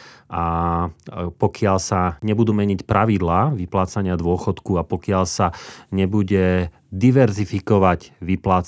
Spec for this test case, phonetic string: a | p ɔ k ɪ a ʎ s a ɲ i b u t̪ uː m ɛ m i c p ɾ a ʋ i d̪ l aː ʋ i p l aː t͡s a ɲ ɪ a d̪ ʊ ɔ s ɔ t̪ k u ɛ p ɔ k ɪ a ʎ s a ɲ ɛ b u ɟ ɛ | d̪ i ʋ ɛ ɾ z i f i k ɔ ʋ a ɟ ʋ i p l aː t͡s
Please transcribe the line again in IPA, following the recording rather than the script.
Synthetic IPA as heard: a | p ɔ k ɪ a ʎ s a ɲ ɛ b u d̪ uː m ɛ ɲ i c p ɾ a ʋ i d̪ l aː ʋ i p l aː t͡s a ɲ ɪ a d̪ ʊ ɔ x ɔ t̪ k u a p ɔ k ɪ a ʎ s a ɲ ɛ b u ɟ ɛ | d̪ i ʋ ɛ ɾ z i f i k ɔ ʋ a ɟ ʋ i p l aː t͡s